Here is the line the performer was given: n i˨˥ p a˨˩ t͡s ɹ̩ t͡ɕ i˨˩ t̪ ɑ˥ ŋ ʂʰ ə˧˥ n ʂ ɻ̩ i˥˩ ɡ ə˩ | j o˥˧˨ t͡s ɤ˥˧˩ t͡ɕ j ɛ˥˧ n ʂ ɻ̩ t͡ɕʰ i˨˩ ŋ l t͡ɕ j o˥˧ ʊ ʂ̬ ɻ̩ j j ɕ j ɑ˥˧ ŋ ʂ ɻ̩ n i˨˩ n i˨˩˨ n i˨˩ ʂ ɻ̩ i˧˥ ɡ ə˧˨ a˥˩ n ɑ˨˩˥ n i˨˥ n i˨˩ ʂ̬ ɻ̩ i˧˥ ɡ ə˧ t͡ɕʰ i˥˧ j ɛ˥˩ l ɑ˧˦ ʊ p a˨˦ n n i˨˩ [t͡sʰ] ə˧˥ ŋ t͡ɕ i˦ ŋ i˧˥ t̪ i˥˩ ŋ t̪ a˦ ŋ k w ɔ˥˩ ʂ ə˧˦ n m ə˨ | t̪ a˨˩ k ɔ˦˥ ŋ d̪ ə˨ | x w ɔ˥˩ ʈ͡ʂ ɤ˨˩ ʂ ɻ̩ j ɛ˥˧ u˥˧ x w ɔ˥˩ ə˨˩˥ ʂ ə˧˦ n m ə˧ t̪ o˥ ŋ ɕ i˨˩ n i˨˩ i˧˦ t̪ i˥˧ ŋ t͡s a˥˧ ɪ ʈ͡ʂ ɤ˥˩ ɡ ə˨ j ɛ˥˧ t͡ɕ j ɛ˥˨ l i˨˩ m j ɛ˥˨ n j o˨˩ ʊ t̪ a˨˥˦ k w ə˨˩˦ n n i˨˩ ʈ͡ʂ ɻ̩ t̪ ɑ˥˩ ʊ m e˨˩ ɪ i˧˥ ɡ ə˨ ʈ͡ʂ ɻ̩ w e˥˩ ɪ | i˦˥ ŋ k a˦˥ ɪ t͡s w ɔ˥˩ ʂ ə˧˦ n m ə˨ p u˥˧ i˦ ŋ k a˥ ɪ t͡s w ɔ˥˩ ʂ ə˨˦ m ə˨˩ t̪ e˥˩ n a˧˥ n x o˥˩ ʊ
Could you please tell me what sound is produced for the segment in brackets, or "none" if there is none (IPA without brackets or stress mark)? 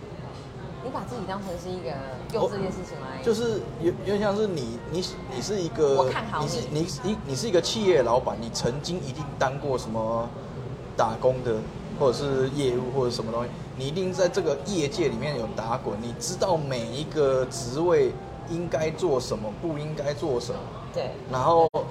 t͡sʰ